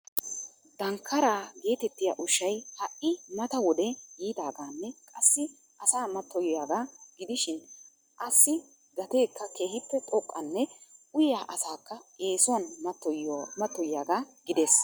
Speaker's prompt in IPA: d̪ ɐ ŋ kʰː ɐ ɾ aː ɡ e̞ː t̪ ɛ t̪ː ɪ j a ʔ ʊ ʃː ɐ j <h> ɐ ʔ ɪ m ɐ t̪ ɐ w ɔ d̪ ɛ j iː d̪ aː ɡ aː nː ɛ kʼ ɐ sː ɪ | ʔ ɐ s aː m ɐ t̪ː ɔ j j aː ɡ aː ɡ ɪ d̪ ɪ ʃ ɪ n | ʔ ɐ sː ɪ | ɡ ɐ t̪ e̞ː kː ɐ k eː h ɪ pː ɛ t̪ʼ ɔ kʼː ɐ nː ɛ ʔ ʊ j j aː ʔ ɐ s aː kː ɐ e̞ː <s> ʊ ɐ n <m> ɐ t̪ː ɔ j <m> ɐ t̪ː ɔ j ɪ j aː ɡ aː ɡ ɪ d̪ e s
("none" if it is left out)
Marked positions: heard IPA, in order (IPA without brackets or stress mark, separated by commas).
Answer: h, s, m, m